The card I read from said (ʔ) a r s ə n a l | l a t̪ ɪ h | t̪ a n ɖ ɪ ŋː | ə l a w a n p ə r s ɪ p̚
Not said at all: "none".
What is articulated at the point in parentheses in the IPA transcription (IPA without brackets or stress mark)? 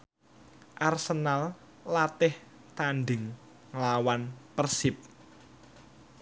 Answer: ʔ